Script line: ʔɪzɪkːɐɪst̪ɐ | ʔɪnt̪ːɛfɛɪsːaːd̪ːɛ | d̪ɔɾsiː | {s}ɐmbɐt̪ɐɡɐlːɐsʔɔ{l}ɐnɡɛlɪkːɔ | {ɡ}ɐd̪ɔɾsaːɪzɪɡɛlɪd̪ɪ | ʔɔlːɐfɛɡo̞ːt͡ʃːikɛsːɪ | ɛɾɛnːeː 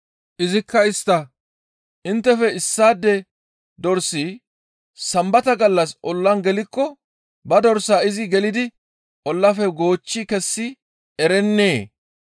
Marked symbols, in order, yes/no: yes, no, no

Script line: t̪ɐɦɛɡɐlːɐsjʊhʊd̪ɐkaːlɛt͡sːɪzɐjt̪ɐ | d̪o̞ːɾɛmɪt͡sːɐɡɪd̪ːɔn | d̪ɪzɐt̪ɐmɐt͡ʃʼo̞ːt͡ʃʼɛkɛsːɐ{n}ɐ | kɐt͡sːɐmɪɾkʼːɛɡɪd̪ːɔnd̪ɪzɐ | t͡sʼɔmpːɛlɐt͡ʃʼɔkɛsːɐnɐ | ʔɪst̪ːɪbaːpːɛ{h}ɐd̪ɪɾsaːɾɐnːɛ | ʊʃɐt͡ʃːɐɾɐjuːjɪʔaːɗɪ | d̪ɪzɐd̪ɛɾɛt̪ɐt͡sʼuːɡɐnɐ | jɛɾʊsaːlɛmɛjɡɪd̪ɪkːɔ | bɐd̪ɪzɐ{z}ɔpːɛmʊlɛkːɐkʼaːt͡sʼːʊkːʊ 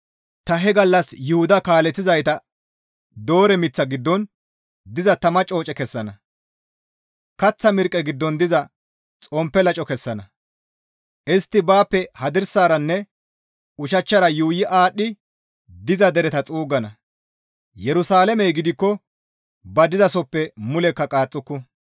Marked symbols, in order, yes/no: yes, yes, no

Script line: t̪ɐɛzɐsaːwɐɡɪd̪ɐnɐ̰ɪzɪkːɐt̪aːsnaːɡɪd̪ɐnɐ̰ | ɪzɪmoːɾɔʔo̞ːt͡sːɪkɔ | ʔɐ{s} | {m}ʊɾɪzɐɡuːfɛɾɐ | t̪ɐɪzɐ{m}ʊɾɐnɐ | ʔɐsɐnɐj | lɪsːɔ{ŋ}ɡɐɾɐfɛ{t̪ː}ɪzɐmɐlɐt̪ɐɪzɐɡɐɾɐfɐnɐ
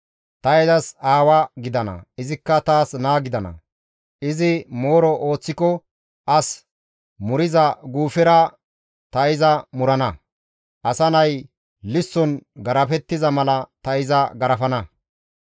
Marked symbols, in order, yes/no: yes, yes, yes, no, yes

